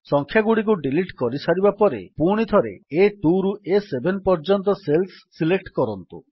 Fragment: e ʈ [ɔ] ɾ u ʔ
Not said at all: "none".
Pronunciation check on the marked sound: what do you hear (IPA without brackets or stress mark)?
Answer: u